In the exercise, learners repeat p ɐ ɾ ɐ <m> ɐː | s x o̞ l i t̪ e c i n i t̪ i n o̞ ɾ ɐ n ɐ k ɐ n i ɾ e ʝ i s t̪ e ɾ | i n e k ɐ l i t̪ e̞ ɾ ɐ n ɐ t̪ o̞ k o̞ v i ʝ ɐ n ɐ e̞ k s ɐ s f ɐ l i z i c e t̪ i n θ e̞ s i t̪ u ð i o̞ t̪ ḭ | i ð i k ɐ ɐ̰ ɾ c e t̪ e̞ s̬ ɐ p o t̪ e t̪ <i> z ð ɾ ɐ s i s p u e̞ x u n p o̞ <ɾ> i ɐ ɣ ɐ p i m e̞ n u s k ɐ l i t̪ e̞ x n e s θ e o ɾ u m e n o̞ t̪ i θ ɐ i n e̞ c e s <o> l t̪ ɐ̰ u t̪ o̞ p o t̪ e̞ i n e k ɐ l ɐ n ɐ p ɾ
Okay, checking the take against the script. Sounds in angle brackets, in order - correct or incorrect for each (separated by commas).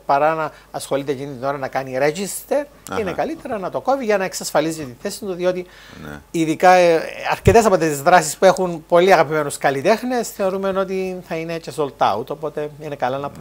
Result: incorrect, correct, incorrect, correct